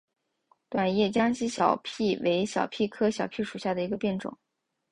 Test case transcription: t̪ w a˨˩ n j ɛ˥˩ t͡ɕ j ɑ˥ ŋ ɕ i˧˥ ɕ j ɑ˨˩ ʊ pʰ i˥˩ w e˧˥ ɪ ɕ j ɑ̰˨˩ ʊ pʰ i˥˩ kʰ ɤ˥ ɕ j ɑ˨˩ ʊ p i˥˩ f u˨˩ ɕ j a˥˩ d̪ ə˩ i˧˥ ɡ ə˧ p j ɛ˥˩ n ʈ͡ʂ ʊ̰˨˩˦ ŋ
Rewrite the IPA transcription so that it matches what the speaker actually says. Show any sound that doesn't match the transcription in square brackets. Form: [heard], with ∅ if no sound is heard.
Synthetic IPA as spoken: t̪ w a˨˩ n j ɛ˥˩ t͡ɕ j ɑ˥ ŋ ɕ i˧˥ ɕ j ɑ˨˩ ʊ pʰ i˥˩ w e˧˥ ɪ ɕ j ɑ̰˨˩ ʊ pʰ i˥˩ kʰ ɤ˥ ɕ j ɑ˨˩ ʊ [pʰ] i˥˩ [ʂ] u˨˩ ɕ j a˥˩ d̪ ə˩ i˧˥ ɡ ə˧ p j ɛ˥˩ n ʈ͡ʂ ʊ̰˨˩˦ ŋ